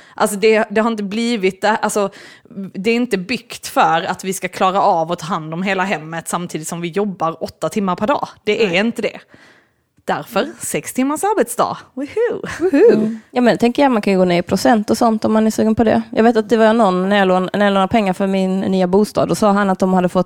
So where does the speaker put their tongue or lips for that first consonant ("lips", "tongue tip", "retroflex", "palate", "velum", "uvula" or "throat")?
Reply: throat